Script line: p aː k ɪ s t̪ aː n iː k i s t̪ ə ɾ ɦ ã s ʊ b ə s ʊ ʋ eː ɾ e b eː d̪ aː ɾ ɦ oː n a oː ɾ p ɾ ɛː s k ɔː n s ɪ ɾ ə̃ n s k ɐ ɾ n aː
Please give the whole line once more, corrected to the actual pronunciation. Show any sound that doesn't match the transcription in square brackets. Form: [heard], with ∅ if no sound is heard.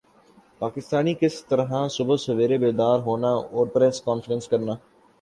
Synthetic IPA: p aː k ɪ s t̪ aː n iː k [ɪ] s t̪ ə ɾ ɦ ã s ʊ b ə s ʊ ʋ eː ɾ e b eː d̪ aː ɾ ɦ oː n a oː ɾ p ɾ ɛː s k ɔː n [f] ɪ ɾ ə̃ n s k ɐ ɾ n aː